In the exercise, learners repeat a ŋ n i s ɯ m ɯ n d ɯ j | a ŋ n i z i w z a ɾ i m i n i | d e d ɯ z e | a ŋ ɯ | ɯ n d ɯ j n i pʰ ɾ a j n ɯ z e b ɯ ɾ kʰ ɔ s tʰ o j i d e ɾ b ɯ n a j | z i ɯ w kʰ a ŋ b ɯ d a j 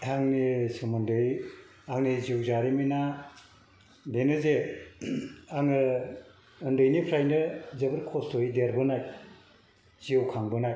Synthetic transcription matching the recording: a ŋ n i s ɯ m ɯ n d ɯ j | a ŋ n i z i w z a ɾ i m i n a | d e n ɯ z e | a ŋ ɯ | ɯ n d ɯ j n i pʰ ɾ a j n ɯ z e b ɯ ɾ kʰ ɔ s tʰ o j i d e ɾ b ɯ n a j | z i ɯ w kʰ a ŋ b ɯ n a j